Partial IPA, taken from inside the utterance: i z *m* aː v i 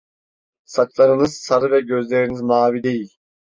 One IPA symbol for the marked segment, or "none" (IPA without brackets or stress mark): m